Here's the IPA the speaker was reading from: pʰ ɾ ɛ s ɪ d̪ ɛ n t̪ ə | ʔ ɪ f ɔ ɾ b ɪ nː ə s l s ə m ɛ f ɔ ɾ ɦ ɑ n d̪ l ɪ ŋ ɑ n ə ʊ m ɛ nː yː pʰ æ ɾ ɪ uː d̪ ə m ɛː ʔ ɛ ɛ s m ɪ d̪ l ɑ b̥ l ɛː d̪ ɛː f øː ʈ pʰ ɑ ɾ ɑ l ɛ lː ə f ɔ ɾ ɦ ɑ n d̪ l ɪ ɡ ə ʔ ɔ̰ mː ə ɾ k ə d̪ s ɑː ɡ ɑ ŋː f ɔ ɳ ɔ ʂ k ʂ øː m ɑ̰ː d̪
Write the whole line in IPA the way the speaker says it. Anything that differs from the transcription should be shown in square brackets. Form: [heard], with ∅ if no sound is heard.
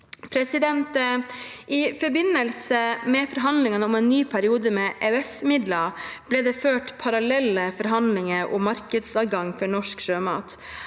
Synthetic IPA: pʰ ɾ ɛ s ɪ d̪ ɛ n t̪ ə | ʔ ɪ f ɔ ɾ b ɪ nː ə [∅] l s ə m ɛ f ɔ ɾ ɦ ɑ n d̪ l ɪ ŋ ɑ n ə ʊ m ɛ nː yː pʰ æ ɾ ɪ uː d̪ ə m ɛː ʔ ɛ ɛ s m ɪ d̪ l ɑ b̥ l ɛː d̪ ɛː f øː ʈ pʰ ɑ ɾ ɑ l ɛ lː ə f ɔ ɾ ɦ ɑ n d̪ l ɪ [ŋ] ə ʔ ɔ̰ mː [ɑ] ɾ k ə d̪ s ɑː ɡ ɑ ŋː f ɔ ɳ ɔ ʂ k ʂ øː m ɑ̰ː [t̪]